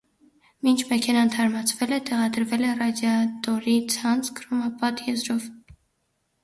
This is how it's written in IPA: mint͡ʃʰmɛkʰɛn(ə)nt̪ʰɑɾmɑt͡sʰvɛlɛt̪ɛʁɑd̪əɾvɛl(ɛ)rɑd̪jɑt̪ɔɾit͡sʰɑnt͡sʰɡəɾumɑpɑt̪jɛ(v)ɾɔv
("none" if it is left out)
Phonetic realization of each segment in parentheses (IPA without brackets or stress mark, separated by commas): ɑ, ɛ, z